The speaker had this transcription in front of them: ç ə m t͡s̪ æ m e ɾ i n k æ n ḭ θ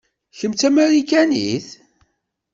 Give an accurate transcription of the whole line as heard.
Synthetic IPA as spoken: ç ə m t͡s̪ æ m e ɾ i k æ n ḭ θ